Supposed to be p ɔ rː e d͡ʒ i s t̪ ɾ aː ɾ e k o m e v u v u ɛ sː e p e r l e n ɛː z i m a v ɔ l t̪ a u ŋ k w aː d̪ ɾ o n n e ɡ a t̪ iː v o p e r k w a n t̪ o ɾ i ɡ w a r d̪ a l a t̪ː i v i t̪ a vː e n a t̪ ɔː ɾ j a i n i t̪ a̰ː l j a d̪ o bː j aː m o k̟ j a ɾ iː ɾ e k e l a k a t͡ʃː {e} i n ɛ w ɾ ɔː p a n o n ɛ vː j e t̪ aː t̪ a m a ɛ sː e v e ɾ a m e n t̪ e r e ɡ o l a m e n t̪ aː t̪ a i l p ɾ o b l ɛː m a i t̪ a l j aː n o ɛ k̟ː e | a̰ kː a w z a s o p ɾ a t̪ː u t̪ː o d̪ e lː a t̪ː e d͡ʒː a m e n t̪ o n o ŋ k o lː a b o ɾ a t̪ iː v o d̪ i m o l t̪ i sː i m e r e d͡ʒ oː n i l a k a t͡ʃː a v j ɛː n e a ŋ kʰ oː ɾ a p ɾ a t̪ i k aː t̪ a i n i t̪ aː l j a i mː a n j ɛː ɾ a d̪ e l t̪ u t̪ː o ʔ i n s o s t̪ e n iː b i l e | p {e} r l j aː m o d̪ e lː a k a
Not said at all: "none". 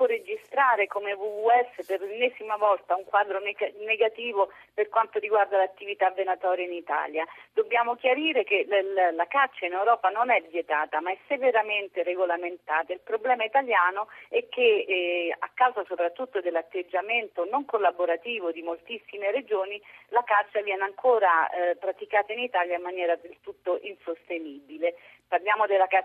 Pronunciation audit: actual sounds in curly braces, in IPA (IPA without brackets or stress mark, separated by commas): a, a